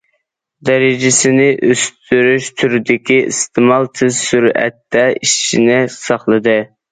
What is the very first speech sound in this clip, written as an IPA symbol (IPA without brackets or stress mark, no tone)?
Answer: d̪